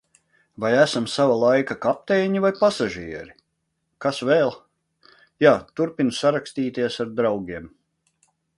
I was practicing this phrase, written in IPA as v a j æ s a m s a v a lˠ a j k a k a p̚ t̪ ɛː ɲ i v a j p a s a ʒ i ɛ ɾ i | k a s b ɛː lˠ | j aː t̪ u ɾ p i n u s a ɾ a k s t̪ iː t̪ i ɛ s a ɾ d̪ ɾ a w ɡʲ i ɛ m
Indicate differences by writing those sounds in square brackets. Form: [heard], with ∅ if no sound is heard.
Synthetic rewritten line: v a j æ s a m s a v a lˠ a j k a k a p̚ t̪ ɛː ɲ i v a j p a s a ʒ i ɛ ɾ i | k a s [v] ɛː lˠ | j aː t̪ u ɾ p i n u s a ɾ a k s t̪ iː t̪ i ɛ s a ɾ d̪ ɾ a w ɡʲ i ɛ m